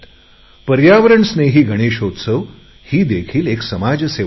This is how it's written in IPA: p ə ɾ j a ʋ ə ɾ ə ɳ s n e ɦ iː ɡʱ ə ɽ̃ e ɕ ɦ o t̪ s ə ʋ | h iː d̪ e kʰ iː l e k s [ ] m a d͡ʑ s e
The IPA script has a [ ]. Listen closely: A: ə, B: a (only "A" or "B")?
A